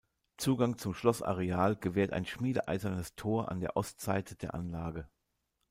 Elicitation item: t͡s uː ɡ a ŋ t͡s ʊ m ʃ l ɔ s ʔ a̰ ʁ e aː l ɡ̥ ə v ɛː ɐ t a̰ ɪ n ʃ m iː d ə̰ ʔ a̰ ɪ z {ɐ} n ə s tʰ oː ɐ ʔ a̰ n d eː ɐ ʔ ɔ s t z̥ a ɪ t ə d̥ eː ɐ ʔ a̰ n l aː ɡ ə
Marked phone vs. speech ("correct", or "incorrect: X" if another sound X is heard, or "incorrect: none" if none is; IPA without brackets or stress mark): correct